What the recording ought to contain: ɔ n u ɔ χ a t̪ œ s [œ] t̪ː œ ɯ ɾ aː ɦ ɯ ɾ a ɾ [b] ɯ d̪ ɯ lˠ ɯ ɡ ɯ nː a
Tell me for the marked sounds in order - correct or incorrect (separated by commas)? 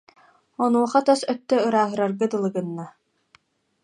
correct, incorrect